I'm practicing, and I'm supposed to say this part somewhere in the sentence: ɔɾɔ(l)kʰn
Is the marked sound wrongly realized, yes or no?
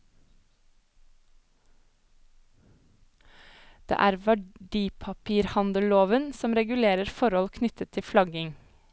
no